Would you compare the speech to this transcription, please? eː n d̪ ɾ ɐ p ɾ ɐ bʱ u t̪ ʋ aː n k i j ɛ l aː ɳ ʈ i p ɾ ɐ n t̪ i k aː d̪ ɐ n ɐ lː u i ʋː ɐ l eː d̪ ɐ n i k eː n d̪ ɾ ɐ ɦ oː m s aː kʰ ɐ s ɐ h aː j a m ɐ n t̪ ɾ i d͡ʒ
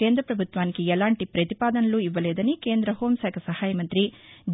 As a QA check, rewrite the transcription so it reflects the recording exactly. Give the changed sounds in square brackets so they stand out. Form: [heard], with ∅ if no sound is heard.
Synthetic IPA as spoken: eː n d̪ ɾ ɐ p ɾ ɐ bʱ u t̪ ʋ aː n k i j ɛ l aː ɳ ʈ i p ɾ ɐ [∅] t̪ i [p] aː d̪ ɐ n ɐ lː u i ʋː ɐ l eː d̪ ɐ n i k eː n d̪ ɾ ɐ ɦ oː m s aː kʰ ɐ s ɐ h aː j [ɐ] m ɐ n t̪ ɾ i d͡ʒ